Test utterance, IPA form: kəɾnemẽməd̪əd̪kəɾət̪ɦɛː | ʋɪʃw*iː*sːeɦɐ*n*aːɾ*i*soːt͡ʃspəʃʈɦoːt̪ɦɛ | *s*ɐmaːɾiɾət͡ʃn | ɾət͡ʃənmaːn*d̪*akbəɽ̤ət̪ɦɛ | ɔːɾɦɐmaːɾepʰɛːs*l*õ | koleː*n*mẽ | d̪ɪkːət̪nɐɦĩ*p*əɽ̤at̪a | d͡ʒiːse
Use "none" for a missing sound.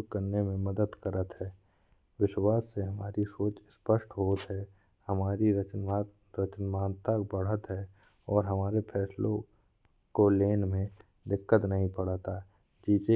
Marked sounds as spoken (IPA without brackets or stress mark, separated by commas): aː, m, i, h, t̪, l, n, p